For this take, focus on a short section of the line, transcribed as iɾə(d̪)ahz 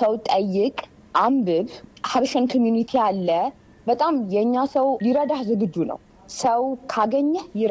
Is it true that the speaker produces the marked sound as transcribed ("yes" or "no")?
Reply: yes